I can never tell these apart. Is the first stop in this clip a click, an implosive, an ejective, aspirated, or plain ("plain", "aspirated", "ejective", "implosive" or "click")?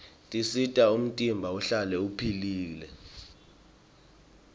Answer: ejective